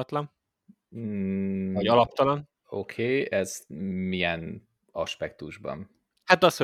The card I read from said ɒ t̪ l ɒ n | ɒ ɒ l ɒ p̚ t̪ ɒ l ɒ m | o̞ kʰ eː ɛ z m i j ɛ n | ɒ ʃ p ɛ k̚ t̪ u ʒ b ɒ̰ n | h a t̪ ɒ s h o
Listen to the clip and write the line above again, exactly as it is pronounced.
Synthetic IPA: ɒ t̪ l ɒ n | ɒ ɒ l ɒ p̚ t̪ ɒ l ɒ n | o̞ kʰ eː ɛ z m i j ɛ n | ɒ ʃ p ɛ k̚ t̪ u ʒ b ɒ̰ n | h a t̪ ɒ s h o